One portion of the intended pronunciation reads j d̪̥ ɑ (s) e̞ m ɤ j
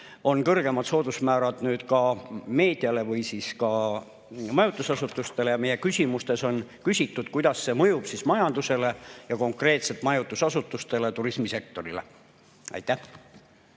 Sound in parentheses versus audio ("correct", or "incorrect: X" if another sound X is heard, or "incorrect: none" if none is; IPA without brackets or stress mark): incorrect: sː